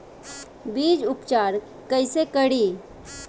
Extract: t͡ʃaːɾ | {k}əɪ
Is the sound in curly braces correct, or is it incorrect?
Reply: correct